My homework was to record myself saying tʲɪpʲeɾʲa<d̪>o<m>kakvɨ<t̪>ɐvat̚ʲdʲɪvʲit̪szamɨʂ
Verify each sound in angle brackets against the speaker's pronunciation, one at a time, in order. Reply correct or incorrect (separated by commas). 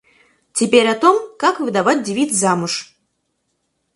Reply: incorrect, correct, incorrect